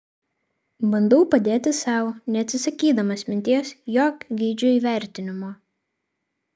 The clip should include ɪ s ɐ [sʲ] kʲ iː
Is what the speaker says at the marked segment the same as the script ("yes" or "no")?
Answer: no